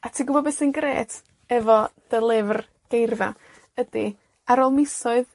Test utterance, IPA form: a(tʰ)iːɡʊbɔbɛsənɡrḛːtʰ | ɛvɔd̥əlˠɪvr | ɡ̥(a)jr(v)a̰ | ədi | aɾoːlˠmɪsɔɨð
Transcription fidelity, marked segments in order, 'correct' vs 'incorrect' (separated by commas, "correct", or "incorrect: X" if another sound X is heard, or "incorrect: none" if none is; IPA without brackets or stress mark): correct, incorrect: e, correct